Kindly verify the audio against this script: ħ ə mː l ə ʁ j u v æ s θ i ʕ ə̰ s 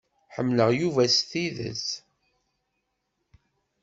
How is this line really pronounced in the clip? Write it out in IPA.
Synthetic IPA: ħ ə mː l ə ʁ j u v æ s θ i ð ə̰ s